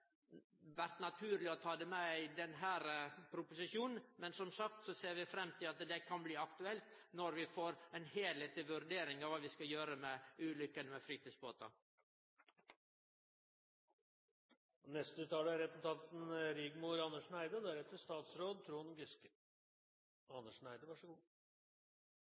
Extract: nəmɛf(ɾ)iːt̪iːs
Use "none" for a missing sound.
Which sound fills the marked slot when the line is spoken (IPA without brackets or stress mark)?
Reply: ɾ